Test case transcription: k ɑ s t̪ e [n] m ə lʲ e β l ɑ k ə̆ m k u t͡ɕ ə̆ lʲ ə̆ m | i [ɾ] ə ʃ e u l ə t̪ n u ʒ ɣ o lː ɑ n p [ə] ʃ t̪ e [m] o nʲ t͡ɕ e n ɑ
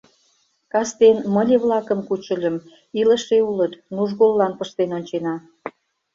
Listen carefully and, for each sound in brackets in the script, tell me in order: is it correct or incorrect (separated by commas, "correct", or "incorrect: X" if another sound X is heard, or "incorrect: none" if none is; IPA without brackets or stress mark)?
correct, incorrect: l, correct, incorrect: n